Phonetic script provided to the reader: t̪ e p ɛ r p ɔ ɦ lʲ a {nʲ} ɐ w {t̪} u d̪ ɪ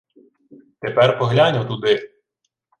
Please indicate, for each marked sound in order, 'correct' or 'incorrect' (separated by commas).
correct, correct